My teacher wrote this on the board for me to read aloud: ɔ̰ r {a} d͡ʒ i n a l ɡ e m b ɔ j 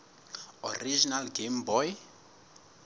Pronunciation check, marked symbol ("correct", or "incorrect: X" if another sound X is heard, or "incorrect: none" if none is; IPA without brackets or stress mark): incorrect: i